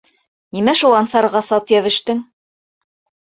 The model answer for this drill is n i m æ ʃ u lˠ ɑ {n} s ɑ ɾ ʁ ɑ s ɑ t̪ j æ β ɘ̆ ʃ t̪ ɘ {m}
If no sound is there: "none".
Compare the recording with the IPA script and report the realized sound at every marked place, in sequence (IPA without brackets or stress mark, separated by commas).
n, ŋ